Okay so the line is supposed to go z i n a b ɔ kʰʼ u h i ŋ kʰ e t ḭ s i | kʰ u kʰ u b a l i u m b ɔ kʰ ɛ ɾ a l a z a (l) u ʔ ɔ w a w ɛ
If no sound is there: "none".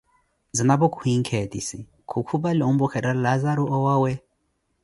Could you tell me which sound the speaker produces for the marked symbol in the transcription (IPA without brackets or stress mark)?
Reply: ɾ